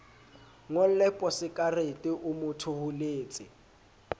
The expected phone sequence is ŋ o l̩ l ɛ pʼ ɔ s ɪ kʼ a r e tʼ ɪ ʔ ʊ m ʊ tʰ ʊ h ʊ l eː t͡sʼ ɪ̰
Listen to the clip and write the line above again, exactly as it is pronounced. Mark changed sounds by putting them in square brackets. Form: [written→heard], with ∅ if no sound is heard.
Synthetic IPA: ŋ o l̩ l ɛ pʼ ɔ s ɪ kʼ a r e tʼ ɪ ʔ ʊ m ʊ tʰ ʊ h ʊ l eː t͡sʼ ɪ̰